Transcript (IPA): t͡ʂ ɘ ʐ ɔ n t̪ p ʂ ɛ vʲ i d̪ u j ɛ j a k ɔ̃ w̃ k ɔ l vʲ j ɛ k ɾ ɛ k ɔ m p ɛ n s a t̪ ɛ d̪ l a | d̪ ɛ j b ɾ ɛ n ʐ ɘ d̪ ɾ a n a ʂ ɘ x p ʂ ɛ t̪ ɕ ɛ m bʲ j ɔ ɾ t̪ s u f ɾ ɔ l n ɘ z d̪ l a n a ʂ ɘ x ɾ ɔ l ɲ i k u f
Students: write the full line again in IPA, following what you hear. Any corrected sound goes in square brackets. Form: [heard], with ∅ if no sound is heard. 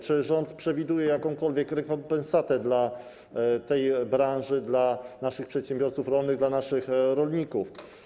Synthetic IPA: t͡ʂ ɘ ʐ ɔ n t̪ p ʂ ɛ vʲ i d̪ u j ɛ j a k ɔ̃ w̃ k ɔ l vʲ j ɛ k ɾ ɛ k ɔ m p ɛ n s a t̪ ɛ d̪ l a | [t̪] ɛ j b ɾ [a] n ʐ ɘ d̪ [l] a n a ʂ ɘ x p ʂ ɛ t̪ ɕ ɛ m bʲ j ɔ ɾ t̪ s u f ɾ ɔ l n ɘ [ɣ] d̪ l a n a ʂ ɘ x ɾ ɔ l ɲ i k u f